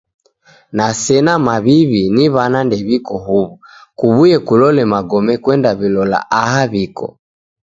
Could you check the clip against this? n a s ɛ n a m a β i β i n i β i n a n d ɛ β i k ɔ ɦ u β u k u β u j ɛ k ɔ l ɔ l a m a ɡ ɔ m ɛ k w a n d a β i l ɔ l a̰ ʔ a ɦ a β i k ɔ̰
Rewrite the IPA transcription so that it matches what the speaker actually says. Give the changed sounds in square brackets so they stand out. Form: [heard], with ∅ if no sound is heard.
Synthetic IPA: n a s ɛ n a m a β i β i n i β [a] n a n d ɛ β i k ɔ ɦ u β u k u β u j ɛ k [u] l ɔ l [ɛ] m a ɡ ɔ m ɛ k w [ɛ] n d a β i l ɔ l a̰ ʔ a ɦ a β i k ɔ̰